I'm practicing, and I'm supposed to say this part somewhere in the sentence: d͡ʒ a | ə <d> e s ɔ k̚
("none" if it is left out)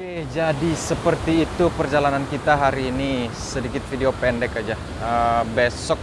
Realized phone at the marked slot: b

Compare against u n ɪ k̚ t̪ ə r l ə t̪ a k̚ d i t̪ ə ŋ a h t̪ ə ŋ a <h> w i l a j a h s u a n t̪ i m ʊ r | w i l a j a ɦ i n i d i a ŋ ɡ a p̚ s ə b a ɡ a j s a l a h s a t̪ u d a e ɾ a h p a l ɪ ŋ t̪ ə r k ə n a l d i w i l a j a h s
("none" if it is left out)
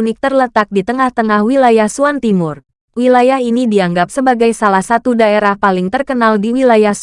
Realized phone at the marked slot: h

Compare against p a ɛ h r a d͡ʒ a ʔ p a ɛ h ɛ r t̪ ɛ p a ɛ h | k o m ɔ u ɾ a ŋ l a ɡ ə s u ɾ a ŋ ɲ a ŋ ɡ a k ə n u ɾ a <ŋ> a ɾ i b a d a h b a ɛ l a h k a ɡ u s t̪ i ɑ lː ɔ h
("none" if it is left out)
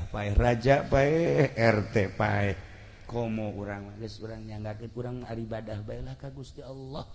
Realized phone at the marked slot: ŋ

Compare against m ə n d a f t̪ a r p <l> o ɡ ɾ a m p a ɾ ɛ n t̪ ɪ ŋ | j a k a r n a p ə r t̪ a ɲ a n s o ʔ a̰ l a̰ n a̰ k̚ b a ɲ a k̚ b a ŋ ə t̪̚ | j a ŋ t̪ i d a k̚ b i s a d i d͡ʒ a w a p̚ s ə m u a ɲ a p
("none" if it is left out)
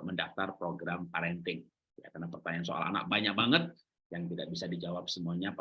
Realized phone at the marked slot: ɾ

